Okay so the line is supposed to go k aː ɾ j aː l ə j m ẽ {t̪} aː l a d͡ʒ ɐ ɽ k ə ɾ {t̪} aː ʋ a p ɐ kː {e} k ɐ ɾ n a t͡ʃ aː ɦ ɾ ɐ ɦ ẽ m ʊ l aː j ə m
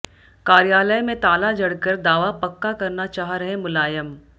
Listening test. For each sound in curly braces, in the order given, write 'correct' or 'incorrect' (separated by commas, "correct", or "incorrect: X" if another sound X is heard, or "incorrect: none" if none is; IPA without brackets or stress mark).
correct, incorrect: d̪, incorrect: a